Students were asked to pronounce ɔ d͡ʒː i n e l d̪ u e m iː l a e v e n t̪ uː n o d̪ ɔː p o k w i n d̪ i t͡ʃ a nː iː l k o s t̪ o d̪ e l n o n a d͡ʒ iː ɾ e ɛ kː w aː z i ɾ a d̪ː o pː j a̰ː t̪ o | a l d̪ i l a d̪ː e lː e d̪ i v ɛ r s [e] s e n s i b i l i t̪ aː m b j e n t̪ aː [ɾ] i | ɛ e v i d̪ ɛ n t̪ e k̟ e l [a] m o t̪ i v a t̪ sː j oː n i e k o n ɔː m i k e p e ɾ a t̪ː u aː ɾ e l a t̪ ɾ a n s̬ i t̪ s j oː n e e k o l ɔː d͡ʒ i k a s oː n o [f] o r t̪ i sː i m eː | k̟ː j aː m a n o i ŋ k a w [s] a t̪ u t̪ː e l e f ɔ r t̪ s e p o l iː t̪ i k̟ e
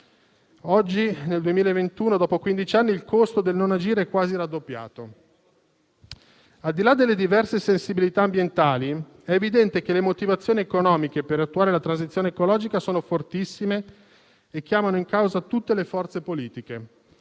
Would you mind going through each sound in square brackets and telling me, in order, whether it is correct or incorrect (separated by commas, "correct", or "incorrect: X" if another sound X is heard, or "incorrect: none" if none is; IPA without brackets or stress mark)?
correct, incorrect: l, incorrect: e, correct, incorrect: z